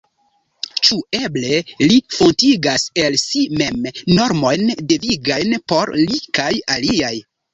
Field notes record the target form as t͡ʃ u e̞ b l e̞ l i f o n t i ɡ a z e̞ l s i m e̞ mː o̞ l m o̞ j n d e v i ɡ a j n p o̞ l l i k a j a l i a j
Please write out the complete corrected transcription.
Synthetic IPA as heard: t͡ʃ u e̞ b l e̞ l i f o n t i ɡ a s e̞ l s i m e̞ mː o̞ ɾ m o̞ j n d e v i ɡ a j n p o̞ ɾ l i k a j a l i a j

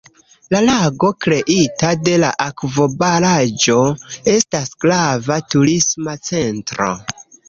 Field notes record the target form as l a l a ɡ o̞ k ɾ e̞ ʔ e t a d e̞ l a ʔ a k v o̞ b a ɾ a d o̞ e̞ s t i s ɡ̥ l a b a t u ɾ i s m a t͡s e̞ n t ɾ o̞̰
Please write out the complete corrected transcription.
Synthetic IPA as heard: l a l a ɡ o̞ k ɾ e̞ ʔ i t a d e̞ l a ʔ a k v o̞ b a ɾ a d͡ʒ o̞ e̞ s t a s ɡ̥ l a v a t u ɾ i s m a t͡s e̞ n t ɾ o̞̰

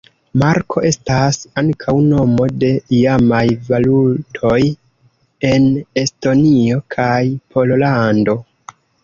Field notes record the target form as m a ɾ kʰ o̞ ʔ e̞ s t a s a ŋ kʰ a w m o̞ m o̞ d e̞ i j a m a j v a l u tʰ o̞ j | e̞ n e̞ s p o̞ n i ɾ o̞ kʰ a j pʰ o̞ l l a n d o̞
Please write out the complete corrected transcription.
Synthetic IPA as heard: m a ɾ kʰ o̞ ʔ e̞ s t a s a ŋ kʰ a w n o̞ m o̞ d e̞ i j a m a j v a l u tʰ o̞ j | e̞ n e̞ s t o̞ n i o̞ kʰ a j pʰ o̞ l l a n d o̞

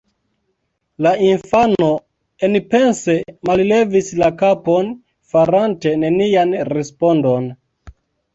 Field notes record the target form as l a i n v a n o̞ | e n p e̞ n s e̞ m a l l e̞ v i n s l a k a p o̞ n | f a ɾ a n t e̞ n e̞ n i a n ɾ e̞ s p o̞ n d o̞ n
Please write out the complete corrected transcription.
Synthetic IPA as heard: l a i n f a n o̞ | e n p e̞ n s e̞ m a l l e̞ v i s l a k a p o̞ n | f a ɾ a n t e̞ n e̞ n i a n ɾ e̞ s p o̞ n d o̞ n

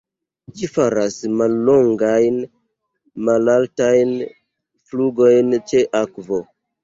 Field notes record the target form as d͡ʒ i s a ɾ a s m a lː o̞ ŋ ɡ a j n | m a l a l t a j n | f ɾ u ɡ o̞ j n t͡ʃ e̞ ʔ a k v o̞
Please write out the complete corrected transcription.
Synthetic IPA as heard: d͡ʒ i f a ɾ a s m a lː o̞ ŋ ɡ a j n | m a l a l t a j n | f l u ɡ o̞ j n t͡ʃ e̞ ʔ a k v o̞

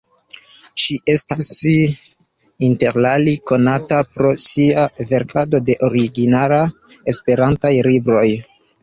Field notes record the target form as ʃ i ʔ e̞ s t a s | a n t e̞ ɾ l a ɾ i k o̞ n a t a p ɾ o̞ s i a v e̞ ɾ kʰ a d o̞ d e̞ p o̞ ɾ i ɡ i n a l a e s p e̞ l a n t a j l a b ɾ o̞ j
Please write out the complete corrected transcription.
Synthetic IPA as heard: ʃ i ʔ e̞ s t a s | i n t e̞ ɾ l a l i k o̞ n a t a p ɾ o̞ s i a v e̞ ɾ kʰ a d o̞ d e̞ ʔ o̞ ɾ i ɡ i n a l a e s p e̞ ɾ a n t a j l i b ɾ o̞ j

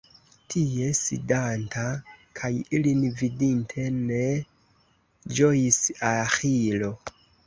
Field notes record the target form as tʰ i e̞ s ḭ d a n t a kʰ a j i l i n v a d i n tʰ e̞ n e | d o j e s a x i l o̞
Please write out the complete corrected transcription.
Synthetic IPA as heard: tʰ i e̞ s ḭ d a n t a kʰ a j i l i n v i d i n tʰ e̞ n e | d͡ʒ o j i s a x i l o̞

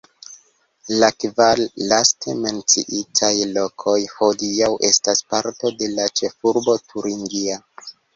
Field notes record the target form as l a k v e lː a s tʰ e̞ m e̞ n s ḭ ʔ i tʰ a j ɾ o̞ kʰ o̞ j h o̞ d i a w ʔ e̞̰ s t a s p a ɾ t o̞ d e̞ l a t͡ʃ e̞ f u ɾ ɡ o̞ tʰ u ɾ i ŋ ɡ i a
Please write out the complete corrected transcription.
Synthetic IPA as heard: l a k v a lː a s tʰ e̞ m e̞ n t͡s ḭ ʔ i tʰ a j l o̞ kʰ o̞ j h o̞ d i a w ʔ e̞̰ s t a s p a ɾ t o̞ d e̞ l a t͡ʃ e̞ f u ɾ b o̞ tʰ u ɾ i ŋ ɡ i a

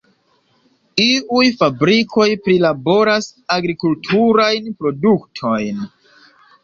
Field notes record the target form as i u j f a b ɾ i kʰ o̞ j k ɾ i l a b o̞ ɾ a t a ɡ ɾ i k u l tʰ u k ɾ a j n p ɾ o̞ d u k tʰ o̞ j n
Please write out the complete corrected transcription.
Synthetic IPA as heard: i u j f a b ɾ i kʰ o̞ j p ɾ i l a b o̞ ɾ a s a ɡ ɾ i k u l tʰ u ɾ a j n p ɾ o̞ d u k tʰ o̞ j n

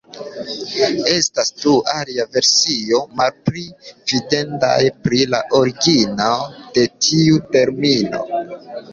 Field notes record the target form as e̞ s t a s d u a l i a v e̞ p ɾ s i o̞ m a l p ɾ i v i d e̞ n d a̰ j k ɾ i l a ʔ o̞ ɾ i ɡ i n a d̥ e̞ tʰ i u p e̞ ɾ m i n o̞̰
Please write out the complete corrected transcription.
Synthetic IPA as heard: e̞ s t a s d u a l i a v e̞ ɾ s i o̞ m a l p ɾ i v i d e̞ n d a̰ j p ɾ i l a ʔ o̞ ɾ i ɡ i n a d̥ e̞ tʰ i u t e̞ ɾ m i n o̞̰

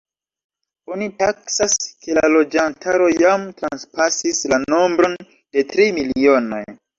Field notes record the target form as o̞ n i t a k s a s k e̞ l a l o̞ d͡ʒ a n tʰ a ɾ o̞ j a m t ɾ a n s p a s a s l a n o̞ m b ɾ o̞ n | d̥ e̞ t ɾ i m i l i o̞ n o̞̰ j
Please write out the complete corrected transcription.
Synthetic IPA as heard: o̞ n i t a k s a s k e̞ l a l o̞ d͡ʒ a n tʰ a ɾ o̞ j a m t ɾ a n s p a s i s l a n o̞ m b ɾ o̞ n | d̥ e̞ t ɾ i m i l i o̞ n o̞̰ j

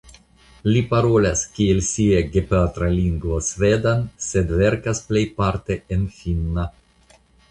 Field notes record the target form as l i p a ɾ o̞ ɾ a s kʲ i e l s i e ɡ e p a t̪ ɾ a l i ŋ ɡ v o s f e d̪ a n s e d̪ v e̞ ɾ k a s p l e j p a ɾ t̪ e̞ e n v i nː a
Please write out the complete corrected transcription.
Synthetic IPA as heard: l i p a ɾ o̞ l a s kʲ i e l s i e ɡ e p a t̪ ɾ a l i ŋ ɡ v o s v e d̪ a n s e d̪ v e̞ ɾ k a s p l e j p a ɾ t̪ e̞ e n f i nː a

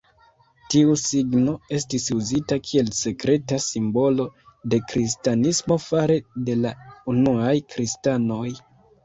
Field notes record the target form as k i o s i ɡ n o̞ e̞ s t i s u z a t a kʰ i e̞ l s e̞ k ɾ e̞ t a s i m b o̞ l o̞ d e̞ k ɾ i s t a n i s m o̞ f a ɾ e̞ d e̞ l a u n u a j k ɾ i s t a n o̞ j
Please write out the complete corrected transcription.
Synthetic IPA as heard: t i u s i ɡ n o̞ e̞ s t i s u z i t a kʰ i e̞ l s e̞ k ɾ e̞ t a s i m b o̞ l o̞ d e̞ k ɾ i s t a n i s m o̞ f a ɾ e̞ d e̞ l a u n u a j k ɾ i s t a n o̞ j

